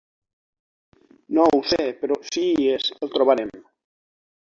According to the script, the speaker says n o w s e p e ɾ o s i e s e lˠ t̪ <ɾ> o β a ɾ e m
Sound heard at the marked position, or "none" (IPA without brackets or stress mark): ɾ